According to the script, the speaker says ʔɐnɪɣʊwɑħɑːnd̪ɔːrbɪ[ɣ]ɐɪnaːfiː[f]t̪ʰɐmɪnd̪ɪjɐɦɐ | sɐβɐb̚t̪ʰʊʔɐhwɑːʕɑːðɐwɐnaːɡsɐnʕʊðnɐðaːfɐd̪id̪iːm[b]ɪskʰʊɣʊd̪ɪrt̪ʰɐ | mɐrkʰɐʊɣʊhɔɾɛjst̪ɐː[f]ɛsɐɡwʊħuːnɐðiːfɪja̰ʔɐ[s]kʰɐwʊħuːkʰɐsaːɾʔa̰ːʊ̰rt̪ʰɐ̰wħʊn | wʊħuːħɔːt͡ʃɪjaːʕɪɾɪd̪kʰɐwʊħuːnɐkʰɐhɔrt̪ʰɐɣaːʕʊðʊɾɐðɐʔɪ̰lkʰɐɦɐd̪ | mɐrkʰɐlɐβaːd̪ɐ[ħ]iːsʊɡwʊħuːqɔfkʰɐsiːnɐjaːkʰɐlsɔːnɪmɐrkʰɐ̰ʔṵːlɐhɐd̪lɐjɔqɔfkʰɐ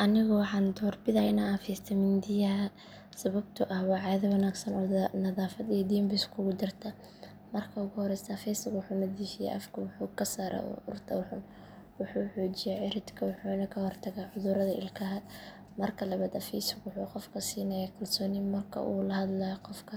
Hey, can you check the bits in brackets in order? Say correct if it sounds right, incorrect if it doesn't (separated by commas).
incorrect, incorrect, correct, correct, incorrect, incorrect